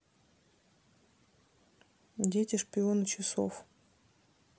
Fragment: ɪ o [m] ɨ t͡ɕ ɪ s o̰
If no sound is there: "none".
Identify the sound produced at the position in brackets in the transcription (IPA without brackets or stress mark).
n